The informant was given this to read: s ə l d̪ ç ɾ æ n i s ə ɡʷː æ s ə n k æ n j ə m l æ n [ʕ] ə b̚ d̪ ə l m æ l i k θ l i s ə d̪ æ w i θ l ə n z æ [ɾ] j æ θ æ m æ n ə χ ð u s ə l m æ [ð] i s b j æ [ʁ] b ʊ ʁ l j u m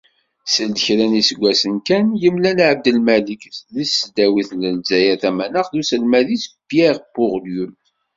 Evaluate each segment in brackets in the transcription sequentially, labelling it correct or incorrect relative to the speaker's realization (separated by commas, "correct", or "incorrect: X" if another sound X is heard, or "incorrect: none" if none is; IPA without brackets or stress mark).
correct, incorrect: none, correct, correct